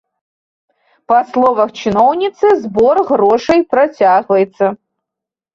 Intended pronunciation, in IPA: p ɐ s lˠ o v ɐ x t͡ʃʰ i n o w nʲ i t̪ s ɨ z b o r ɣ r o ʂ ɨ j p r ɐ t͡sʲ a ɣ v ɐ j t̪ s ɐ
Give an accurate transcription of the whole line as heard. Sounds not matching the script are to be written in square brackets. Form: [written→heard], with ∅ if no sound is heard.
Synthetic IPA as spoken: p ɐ s lˠ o v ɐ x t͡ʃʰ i n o w nʲ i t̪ s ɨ z b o r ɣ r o ʂ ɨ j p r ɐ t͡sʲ a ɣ v ɐ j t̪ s ɐ